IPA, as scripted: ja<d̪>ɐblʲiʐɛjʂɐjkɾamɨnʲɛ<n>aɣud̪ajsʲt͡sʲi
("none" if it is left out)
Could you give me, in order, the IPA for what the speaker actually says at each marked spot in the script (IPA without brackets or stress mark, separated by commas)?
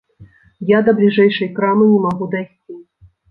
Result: d̪, m